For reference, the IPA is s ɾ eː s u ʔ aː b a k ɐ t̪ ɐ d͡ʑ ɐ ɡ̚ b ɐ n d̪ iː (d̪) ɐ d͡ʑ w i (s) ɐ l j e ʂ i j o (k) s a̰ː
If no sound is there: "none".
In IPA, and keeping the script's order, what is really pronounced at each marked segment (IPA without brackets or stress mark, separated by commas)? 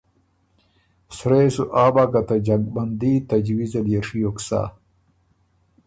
t̪, z, k